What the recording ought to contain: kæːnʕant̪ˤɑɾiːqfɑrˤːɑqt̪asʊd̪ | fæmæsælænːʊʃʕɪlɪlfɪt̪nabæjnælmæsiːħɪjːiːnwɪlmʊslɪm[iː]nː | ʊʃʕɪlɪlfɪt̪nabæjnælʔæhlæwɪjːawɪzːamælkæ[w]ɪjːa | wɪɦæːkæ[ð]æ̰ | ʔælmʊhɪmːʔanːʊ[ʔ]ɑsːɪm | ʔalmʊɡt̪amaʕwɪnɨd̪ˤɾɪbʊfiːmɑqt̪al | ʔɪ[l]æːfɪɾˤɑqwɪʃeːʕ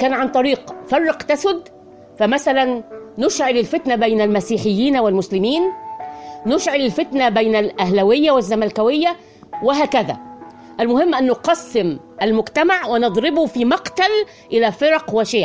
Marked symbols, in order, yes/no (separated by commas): yes, yes, yes, no, yes